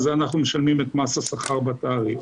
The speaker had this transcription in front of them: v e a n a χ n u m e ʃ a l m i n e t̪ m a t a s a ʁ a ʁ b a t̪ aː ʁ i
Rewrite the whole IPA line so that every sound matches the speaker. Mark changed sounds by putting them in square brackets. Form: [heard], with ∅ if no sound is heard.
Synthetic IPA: [z] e a n a χ n u m e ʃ a l m i [m] e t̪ m a [s] a s a [χ] a ʁ b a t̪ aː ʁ i